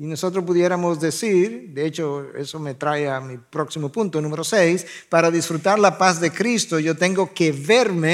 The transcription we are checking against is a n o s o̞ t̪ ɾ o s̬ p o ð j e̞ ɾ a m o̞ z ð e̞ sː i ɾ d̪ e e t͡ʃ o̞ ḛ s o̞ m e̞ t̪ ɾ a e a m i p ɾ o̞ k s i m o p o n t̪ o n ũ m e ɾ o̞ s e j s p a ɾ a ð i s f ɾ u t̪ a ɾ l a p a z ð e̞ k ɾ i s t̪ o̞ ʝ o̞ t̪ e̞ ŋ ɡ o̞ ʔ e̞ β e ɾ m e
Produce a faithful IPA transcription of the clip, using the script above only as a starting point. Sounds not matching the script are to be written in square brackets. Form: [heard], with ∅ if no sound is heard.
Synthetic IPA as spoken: [i] n o s o̞ t̪ ɾ o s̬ p [u] ð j e̞ ɾ a m o̞ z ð e̞ [s] i ɾ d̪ e e t͡ʃ o̞ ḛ s o̞ m e̞ t̪ ɾ a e a m i p ɾ o̞ k s i m o p [u] n t̪ o n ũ m e ɾ o̞ s e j s p a ɾ a ð i s f ɾ u t̪ a ɾ l a p a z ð e̞ k ɾ i s t̪ o̞ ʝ o̞ t̪ e̞ ŋ ɡ o̞ [k] e̞ β e ɾ m e